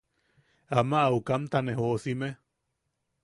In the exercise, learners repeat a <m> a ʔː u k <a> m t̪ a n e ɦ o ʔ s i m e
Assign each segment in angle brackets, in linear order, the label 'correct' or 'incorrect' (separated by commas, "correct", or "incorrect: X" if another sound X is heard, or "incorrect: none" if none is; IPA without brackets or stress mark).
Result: correct, correct